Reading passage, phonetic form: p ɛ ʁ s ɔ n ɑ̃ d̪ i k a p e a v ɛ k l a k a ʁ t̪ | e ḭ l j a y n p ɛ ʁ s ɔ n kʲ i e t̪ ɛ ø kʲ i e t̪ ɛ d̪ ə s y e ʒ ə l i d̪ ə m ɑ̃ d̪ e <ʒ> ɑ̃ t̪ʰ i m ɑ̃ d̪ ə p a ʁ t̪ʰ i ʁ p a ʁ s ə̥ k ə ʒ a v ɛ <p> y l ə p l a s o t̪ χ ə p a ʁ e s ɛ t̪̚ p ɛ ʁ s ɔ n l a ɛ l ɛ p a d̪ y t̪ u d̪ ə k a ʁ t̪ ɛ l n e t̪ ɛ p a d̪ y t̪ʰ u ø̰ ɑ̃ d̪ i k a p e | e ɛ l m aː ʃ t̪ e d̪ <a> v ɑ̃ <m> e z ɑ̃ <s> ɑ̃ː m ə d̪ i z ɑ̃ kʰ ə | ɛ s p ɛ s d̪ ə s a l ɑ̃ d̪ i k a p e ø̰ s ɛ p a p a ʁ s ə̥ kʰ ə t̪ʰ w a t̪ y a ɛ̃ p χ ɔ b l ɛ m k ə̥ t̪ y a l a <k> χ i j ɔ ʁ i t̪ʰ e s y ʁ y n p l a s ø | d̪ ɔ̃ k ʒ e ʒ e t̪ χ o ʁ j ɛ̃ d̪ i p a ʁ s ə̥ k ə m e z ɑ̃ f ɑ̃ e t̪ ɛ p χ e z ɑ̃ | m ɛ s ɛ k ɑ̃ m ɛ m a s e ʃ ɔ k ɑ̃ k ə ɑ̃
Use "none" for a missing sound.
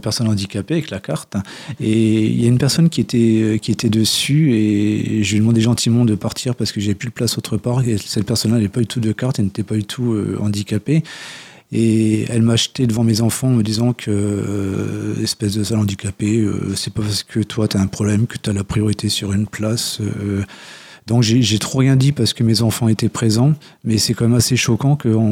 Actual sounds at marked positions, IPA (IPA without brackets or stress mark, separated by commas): ʒ, p, ə, m, f, p